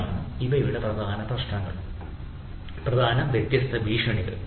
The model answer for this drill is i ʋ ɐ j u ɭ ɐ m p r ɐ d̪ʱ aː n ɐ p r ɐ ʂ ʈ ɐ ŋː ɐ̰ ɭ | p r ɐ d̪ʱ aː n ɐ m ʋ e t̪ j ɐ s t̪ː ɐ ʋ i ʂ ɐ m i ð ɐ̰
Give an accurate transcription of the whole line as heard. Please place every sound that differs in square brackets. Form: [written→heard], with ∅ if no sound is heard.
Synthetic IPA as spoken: i ʋ ɐ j u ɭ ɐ [m→∅] p r ɐ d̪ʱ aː n ɐ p r ɐ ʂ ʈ ɐ ŋː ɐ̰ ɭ | p r ɐ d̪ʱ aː n ɐ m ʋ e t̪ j ɐ s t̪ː ɐ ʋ [i→iː] ʂ ɐ [m→ɳ] i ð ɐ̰